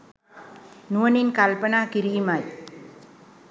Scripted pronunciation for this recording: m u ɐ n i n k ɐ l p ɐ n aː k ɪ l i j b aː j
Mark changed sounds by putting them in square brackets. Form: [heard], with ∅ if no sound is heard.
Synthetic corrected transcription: [n] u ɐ n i n k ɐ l p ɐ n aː k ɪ [ɾ] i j [m] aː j